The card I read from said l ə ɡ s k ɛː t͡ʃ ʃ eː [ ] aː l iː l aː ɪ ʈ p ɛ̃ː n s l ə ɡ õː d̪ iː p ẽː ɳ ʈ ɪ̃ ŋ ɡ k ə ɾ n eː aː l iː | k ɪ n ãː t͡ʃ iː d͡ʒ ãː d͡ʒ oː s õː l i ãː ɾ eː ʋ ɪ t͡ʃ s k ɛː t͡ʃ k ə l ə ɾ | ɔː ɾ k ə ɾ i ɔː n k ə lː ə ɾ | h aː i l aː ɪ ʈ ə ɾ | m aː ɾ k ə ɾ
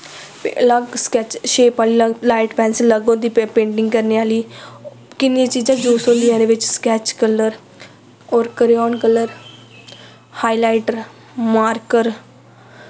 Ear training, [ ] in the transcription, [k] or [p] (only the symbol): p